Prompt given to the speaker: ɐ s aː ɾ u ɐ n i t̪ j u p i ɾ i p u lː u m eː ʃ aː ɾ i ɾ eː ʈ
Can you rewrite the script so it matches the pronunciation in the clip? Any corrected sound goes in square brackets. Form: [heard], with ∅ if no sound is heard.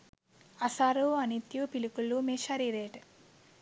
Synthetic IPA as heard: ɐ s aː ɾ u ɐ n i t̪ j u p i [l] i [k] u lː u m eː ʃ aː ɾ i ɾ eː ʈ